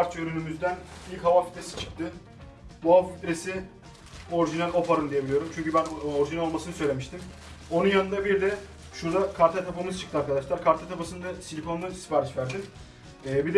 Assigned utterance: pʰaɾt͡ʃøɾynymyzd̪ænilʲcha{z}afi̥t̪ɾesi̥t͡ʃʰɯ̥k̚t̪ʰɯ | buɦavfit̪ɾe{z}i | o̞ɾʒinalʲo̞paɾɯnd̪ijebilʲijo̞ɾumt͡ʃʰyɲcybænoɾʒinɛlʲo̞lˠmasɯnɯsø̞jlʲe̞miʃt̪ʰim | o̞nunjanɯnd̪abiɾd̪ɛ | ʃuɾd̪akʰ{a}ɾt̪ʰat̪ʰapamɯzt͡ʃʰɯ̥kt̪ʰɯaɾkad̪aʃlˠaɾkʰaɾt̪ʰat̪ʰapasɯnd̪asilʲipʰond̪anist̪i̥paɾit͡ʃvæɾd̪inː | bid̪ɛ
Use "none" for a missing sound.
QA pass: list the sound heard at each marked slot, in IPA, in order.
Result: v, s, a

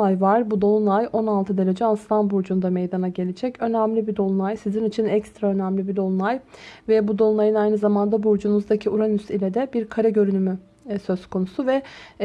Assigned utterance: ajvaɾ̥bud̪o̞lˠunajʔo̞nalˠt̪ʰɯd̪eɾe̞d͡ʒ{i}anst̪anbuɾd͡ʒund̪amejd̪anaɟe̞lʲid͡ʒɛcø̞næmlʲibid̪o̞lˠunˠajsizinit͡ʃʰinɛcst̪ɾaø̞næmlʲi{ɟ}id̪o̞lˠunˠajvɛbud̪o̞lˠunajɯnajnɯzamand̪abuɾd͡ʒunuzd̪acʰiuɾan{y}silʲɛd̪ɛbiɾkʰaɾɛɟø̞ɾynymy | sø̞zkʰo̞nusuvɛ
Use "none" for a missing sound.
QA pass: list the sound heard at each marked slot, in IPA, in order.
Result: ɛ, b, y

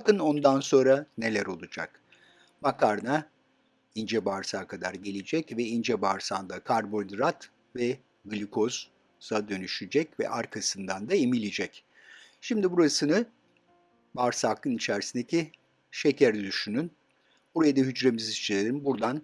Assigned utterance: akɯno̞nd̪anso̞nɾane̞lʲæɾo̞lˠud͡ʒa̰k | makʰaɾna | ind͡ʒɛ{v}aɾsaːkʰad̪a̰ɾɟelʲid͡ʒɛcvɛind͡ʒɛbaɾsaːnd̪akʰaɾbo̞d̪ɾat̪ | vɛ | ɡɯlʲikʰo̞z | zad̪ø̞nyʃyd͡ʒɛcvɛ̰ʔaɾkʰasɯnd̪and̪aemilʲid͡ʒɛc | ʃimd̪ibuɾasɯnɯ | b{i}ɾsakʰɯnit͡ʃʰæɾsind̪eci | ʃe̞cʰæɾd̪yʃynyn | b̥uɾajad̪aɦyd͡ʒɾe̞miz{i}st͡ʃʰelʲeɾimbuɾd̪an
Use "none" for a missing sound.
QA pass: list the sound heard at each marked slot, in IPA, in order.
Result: b, a, i

